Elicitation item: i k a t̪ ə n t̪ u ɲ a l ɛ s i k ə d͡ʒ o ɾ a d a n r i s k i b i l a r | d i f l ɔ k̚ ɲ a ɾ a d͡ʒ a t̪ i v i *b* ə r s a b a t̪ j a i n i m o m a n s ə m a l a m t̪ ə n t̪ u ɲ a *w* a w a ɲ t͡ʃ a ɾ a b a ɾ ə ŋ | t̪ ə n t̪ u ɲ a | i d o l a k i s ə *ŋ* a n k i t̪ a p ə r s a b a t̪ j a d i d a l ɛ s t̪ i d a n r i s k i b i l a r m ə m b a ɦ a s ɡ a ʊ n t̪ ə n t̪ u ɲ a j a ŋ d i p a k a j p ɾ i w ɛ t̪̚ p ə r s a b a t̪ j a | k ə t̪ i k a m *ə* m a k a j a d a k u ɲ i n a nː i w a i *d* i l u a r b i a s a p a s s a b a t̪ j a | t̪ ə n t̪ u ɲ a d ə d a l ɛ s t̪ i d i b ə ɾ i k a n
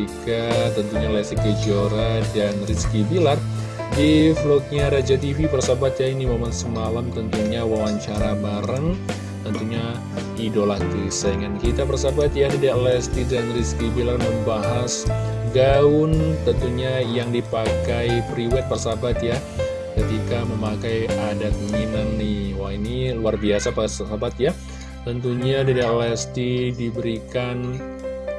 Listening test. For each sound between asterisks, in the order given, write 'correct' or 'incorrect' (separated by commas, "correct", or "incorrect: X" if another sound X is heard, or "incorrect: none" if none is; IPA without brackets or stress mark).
incorrect: p, correct, correct, correct, incorrect: n